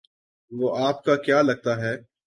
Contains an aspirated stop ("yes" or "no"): no